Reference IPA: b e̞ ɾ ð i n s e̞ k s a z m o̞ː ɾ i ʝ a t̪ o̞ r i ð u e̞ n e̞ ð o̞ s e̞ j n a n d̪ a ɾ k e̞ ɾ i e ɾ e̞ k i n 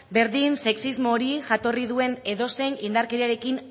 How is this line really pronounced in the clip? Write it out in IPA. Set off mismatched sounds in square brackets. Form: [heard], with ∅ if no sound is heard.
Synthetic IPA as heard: b e̞ ɾ ð i n s e̞ k s [i] z m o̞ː ɾ i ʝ a t̪ o̞ r i ð u e̞ n e̞ ð o̞ s e̞ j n [i] n d̪ a ɾ k e̞ ɾ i [a] ɾ e̞ k i n